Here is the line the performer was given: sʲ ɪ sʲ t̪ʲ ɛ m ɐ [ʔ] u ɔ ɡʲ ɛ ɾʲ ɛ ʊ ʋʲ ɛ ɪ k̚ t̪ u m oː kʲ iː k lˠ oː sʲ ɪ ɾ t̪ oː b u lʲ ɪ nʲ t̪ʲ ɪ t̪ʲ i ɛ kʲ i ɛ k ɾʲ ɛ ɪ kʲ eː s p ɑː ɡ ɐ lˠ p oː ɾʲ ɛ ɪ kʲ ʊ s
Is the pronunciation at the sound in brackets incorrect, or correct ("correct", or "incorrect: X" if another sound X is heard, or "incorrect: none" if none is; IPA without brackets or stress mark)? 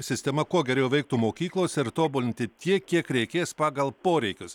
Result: incorrect: k